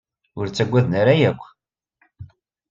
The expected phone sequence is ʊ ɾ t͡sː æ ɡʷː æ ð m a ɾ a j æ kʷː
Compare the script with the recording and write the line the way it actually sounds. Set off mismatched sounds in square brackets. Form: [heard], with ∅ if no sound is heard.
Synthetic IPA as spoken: ʊ ɾ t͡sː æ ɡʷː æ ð [n] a ɾ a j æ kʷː